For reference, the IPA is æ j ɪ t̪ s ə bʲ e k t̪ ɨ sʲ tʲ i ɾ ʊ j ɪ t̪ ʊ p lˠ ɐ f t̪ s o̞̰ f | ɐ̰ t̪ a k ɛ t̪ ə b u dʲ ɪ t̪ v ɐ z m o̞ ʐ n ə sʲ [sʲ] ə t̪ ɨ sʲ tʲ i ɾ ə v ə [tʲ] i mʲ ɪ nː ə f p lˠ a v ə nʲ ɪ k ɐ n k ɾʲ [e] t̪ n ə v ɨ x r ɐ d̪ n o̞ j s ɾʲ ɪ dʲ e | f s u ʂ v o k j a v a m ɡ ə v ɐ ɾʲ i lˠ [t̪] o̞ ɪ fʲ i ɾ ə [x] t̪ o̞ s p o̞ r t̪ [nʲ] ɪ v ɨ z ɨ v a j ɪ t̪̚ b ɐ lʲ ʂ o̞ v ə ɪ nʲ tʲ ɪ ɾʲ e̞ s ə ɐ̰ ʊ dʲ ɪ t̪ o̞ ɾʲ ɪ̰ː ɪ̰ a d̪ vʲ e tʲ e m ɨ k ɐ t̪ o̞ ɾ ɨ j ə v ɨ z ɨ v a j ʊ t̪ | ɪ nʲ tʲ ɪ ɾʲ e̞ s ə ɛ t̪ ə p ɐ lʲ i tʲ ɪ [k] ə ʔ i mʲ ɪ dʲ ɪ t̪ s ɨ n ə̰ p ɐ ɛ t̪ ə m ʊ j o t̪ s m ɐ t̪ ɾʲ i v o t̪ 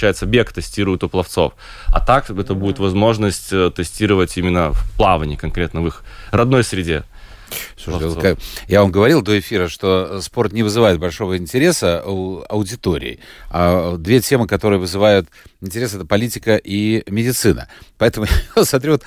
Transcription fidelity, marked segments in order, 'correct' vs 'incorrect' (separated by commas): incorrect, correct, correct, incorrect, incorrect, correct, correct